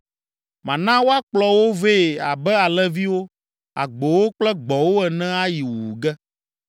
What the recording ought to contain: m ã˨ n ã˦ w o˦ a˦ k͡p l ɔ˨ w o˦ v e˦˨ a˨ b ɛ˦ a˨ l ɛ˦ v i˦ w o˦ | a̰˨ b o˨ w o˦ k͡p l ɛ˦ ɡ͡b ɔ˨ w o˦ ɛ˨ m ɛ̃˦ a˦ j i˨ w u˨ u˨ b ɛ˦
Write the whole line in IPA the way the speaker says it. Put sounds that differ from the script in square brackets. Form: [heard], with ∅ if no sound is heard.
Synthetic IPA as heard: m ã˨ n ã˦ w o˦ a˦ k͡p l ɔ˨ w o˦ v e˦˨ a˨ b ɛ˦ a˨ l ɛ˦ v i˦ w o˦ | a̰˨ [ɡ͡b] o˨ w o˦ k͡p l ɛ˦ ɡ͡b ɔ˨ w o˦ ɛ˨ [n] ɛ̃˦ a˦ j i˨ w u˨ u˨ [ɡ] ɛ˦